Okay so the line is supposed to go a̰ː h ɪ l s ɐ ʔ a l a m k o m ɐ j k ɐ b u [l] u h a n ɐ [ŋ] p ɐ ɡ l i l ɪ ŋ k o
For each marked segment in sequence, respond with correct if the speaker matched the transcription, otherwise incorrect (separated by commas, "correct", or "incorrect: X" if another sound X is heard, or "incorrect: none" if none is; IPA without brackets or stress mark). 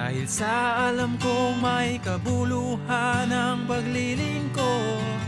correct, correct